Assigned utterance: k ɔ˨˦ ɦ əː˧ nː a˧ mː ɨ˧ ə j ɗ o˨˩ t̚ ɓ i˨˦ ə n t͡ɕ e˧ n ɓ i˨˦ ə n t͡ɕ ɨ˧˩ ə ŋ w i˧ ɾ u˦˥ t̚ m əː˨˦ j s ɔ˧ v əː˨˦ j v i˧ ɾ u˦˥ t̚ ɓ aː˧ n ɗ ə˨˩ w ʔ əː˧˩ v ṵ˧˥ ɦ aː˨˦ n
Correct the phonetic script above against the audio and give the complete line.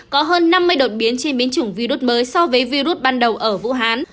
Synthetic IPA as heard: k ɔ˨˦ ɦ əː˧ nː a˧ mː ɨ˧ ə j ɗ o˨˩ t̚ ɓ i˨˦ ə n t͡ɕ e˧ n ɓ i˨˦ ə n t͡ɕ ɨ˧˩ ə ŋ v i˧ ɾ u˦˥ t̚ m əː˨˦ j s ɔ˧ v əː˨˦ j v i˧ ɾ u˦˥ t̚ ɓ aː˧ n ɗ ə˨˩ w ʔ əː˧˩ v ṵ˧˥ ɦ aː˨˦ n